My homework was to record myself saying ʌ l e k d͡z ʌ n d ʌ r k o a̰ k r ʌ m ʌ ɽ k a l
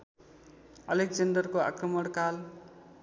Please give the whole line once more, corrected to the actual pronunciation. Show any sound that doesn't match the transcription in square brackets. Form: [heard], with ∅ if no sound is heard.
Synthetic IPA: ʌ l e k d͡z ʌ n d ʌ r k o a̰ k r ʌ m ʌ ɽ k a l

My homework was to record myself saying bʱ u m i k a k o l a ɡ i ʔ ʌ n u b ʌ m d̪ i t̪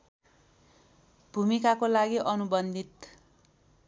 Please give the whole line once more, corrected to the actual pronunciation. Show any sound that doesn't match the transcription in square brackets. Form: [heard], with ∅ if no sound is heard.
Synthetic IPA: bʱ u m i k a k o l a ɡ i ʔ ʌ n u b ʌ [n] d̪ i t̪

